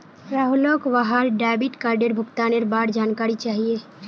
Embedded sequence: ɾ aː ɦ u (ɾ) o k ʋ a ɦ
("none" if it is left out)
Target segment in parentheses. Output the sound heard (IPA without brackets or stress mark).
l